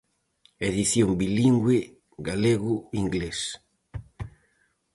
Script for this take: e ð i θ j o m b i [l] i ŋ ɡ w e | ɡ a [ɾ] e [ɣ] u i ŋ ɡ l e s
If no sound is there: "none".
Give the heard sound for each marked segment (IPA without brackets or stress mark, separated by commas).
l, l, ɣ